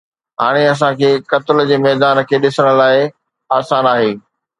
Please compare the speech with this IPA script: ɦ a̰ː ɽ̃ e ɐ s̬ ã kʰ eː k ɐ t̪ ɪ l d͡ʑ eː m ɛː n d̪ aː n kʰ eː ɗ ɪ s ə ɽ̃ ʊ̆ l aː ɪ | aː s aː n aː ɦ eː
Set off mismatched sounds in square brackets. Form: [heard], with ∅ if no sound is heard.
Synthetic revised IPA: ɦ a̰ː ɽ̃ e ɐ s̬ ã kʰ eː k ɐ t̪ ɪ l d͡ʑ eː m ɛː [∅] d̪ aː n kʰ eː ɗ ɪ s ə ɽ̃ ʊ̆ l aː ɪ | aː s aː n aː ɦ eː